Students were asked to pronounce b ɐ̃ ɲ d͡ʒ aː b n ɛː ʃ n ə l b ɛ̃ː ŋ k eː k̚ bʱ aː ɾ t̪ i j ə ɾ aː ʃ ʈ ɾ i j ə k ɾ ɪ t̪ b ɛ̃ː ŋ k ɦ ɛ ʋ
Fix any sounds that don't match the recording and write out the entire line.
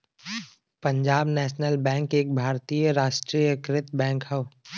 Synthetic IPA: p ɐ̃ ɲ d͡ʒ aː b n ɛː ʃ n ə l b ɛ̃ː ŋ k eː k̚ bʱ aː ɾ t̪ i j ə ɾ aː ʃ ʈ ɾ i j ə k ɾ ɪ t̪ b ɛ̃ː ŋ k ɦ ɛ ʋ